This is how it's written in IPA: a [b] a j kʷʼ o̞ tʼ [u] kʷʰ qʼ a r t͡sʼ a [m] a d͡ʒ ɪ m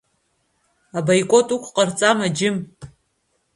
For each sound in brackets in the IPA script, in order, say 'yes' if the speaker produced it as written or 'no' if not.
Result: yes, yes, yes

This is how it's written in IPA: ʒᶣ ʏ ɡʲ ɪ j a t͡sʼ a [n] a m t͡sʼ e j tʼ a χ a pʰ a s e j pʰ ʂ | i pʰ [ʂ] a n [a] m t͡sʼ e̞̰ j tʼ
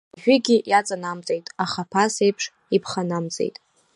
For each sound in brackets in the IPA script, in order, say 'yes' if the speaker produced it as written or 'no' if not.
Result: yes, no, yes

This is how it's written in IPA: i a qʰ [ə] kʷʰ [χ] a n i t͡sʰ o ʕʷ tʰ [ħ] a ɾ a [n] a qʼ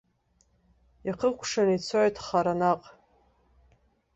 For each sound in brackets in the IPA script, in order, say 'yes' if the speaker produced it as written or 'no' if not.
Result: yes, no, no, yes

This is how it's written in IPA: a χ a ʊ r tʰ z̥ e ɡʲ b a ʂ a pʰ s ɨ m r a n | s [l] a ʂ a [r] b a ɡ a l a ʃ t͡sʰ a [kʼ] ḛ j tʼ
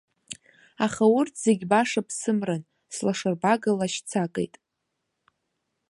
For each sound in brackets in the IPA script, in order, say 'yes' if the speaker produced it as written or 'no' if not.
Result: yes, yes, yes

